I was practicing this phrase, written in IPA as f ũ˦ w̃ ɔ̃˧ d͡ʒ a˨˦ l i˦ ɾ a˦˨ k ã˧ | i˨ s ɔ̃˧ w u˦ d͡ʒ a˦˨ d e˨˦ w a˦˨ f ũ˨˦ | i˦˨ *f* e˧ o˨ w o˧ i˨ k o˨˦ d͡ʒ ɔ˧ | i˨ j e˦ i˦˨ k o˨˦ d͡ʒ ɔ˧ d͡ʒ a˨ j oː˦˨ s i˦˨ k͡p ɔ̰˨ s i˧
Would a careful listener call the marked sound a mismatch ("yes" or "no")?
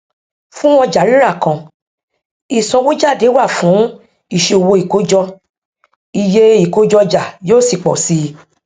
yes